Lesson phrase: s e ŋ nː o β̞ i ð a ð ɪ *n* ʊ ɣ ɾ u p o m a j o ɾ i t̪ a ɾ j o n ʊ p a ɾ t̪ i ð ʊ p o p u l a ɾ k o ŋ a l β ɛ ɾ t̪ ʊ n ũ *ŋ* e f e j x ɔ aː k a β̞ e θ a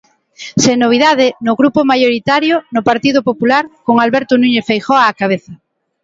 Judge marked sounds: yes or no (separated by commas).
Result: yes, no